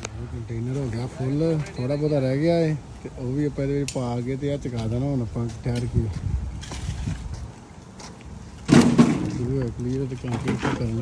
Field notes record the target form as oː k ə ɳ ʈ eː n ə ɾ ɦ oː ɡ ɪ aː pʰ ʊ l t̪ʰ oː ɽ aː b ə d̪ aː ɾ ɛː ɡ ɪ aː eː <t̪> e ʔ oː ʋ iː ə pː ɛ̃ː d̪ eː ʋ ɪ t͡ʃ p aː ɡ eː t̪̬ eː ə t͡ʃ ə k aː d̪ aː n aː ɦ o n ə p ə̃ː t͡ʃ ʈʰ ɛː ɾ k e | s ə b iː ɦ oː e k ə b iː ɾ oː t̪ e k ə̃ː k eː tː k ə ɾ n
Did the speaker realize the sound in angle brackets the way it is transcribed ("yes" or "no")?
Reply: yes